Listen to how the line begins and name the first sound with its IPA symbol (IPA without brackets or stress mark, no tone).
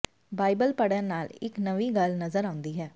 b